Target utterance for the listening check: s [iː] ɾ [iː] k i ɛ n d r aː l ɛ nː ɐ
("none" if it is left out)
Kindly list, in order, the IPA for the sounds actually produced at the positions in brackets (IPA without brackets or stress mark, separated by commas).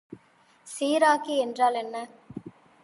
iː, aː